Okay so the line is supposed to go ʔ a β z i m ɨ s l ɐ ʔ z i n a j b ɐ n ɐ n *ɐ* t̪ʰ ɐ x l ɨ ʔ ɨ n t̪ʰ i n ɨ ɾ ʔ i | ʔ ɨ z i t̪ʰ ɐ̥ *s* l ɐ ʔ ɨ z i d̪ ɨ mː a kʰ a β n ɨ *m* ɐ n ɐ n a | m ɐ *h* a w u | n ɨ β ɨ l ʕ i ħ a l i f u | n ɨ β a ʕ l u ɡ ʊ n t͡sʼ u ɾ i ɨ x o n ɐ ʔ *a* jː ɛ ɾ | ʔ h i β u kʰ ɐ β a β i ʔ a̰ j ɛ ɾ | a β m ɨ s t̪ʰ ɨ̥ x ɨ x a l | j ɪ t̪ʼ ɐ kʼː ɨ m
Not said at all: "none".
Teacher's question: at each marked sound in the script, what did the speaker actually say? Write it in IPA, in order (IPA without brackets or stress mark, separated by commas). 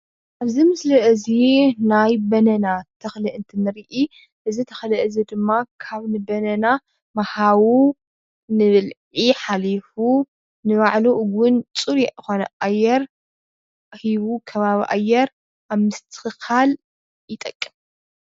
a, x, b, h, a